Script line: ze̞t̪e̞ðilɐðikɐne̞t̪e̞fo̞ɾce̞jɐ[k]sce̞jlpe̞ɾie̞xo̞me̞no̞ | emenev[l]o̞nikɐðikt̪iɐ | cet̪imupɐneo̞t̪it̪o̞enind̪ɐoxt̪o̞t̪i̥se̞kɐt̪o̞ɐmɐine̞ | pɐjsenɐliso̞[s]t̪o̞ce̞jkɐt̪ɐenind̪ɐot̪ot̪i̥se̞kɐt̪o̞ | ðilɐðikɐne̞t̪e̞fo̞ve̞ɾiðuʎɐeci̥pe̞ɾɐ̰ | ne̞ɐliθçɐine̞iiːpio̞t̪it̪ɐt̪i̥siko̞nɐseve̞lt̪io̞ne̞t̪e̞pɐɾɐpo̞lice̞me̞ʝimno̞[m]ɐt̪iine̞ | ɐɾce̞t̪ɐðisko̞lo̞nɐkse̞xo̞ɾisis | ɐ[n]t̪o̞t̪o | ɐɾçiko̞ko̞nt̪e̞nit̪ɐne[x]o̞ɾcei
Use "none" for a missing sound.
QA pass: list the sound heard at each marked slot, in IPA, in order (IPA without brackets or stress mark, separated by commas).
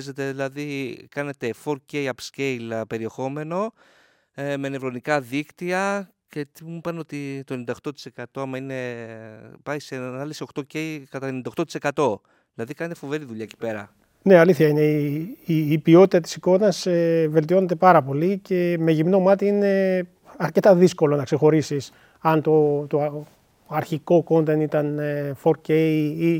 p, ɾ, x, m, n, f